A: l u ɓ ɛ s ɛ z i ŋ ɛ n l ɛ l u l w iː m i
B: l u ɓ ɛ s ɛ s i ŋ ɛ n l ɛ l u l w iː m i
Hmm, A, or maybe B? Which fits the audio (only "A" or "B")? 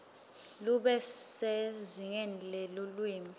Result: A